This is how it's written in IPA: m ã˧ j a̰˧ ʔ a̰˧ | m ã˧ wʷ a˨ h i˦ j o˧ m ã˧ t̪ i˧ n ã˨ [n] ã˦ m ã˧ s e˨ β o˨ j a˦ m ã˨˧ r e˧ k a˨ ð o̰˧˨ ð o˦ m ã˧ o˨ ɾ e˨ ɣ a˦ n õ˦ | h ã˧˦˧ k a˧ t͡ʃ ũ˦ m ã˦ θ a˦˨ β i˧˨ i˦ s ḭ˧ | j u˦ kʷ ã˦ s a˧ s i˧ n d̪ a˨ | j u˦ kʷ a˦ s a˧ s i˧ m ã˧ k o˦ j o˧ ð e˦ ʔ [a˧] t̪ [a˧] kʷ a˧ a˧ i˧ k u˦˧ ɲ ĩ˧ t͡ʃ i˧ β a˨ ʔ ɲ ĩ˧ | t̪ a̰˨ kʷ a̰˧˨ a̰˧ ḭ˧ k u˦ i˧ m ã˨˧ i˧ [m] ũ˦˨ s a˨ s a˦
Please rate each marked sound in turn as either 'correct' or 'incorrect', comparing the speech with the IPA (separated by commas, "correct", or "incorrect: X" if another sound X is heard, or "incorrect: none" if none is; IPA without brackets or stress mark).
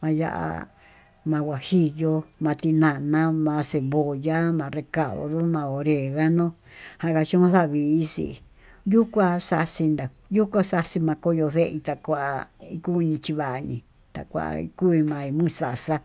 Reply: correct, incorrect: i˧, correct, correct